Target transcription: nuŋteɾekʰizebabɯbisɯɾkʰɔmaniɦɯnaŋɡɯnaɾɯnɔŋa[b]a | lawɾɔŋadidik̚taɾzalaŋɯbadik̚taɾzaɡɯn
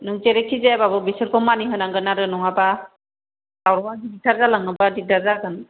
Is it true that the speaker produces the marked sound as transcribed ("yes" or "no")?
yes